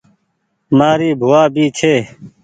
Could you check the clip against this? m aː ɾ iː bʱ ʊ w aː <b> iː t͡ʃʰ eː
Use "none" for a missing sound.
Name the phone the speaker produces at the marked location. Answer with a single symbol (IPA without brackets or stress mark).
b